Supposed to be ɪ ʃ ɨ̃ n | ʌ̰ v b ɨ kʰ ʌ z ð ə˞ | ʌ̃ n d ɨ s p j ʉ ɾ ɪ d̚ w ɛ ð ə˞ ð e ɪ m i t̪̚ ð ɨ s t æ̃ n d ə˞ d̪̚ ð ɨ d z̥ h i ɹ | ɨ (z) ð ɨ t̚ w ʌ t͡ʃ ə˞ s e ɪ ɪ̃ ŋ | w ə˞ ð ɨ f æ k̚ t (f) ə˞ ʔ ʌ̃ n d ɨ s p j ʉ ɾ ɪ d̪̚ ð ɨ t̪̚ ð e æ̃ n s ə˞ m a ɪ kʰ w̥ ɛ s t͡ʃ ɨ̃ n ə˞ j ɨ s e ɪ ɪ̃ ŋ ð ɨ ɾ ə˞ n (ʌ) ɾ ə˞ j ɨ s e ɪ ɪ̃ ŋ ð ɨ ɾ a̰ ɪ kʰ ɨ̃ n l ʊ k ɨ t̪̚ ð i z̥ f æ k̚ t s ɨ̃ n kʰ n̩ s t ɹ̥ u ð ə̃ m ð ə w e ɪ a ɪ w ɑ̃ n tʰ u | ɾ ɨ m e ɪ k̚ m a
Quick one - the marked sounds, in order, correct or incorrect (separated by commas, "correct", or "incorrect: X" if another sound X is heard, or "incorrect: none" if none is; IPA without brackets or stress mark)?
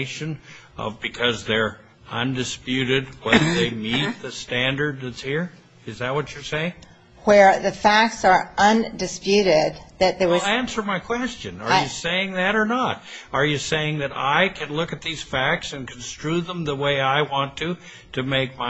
correct, incorrect: s, incorrect: ə